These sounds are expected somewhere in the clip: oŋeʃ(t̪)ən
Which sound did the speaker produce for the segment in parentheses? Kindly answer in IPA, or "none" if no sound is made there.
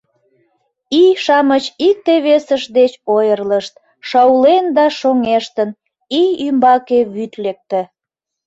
t̪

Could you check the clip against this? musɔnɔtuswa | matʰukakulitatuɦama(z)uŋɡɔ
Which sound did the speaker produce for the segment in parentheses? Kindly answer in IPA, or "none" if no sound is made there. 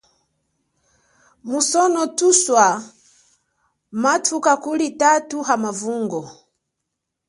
v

